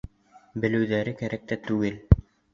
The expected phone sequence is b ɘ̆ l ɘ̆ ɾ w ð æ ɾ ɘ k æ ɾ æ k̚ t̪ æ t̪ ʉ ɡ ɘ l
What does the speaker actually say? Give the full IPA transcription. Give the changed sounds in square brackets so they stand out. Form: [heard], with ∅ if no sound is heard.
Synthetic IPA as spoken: b ɘ̆ l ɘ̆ [∅] w ð æ ɾ ɘ k æ ɾ æ k̚ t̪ æ t̪ ʉ ɡ ɘ l